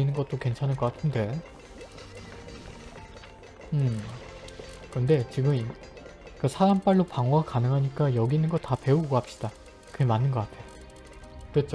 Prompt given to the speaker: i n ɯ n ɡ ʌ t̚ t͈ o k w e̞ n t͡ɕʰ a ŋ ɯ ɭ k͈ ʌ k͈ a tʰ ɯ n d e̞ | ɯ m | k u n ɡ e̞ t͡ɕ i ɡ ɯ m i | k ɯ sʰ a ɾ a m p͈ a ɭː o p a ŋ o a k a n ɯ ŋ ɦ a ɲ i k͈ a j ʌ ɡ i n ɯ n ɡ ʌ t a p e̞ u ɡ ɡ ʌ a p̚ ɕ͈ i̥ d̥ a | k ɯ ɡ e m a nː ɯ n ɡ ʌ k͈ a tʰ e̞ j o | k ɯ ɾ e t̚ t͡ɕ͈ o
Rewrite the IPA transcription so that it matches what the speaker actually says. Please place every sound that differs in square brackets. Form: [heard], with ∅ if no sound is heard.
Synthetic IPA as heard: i n ɯ n ɡ ʌ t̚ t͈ o k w e̞ n t͡ɕʰ a [n] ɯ ɭ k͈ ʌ k͈ a tʰ ɯ n d e̞ | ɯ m | k [ɯ] n [d] e̞ t͡ɕ i ɡ ɯ m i | k ɯ sʰ a ɾ a m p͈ a ɭː o p a ŋ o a k a n ɯ ŋ ɦ a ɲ i k͈ a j ʌ ɡ i n ɯ n ɡ ʌ t a p e̞ u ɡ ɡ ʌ a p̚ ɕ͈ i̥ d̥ a | k ɯ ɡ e m a nː ɯ n ɡ ʌ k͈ a tʰ e̞ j o | k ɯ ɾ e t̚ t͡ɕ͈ o